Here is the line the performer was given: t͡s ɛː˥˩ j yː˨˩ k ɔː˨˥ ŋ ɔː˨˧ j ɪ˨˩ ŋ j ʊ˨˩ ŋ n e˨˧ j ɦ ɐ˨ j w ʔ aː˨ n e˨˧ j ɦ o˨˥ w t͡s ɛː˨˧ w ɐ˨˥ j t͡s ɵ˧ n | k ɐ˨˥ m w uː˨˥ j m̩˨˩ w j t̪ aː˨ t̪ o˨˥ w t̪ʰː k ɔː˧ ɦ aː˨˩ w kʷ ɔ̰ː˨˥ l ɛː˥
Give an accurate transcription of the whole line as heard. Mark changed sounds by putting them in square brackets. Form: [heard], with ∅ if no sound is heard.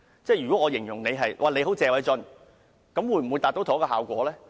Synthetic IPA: t͡s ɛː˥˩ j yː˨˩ k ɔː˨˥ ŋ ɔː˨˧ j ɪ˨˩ ŋ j ʊ˨˩ ŋ n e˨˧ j ɦ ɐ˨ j w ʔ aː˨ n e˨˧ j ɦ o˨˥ w t͡s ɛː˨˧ w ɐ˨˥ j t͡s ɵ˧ n | k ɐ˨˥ m w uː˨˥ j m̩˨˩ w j t̪ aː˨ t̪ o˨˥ w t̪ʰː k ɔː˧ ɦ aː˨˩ w kʷ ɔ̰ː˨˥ l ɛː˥